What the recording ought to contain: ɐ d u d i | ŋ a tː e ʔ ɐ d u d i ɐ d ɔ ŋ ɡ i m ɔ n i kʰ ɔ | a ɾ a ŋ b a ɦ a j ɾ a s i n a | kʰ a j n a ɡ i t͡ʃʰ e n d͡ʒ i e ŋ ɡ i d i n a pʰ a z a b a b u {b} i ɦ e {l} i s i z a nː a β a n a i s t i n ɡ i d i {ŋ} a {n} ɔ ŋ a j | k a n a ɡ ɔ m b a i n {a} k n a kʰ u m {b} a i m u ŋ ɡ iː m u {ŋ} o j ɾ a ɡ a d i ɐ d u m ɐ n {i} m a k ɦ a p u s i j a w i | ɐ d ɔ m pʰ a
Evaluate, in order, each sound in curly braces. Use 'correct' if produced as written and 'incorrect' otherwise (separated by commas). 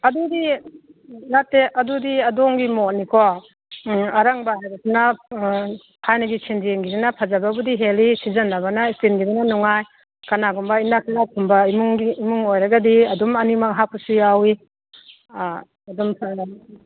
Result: incorrect, correct, incorrect, correct, correct, correct, correct, correct